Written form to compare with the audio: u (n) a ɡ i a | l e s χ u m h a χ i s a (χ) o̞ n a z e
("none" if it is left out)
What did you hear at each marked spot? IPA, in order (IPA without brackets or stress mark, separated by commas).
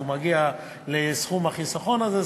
m, χ